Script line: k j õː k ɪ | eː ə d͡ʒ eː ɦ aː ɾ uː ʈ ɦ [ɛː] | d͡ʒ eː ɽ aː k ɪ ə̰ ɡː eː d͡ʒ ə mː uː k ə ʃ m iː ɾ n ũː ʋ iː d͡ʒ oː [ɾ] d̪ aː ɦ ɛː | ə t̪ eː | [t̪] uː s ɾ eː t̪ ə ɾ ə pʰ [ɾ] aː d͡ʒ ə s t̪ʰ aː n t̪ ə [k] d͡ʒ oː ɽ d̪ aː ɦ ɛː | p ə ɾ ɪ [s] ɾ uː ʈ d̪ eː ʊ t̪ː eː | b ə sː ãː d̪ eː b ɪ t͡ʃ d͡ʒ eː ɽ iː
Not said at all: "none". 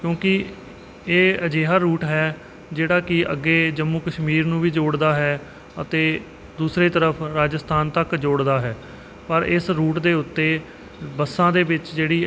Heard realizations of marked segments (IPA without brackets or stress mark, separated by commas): ɛː, ɽ, d̪, ɾ, k, s